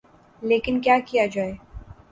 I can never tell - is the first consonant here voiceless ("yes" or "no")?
no